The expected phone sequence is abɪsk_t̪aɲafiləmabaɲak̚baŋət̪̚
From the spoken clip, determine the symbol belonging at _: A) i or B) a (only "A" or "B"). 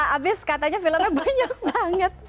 B